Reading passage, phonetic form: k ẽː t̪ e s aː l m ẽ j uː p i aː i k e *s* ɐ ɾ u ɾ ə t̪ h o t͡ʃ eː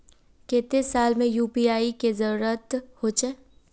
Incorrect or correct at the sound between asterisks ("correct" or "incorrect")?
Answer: incorrect